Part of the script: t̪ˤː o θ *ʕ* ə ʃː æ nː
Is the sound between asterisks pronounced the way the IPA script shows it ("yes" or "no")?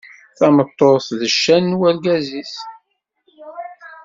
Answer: no